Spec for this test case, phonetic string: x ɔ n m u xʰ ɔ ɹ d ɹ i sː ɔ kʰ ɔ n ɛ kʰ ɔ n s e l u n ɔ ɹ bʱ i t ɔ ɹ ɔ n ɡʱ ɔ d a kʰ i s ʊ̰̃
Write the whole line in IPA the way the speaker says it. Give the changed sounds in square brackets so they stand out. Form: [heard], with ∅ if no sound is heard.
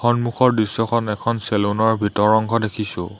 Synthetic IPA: x ɔ n m u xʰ ɔ ɹ d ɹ i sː ɔ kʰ ɔ n ɛ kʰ ɔ n s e l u n ɔ ɹ bʱ i t ɔ ɹ ɔ [ŋ] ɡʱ ɔ d [e] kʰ i s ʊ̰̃